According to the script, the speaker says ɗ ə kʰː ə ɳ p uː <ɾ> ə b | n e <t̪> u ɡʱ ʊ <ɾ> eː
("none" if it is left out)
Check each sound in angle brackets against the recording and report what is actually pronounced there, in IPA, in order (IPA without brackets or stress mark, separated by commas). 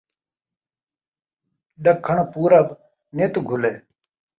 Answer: ɾ, t̪, l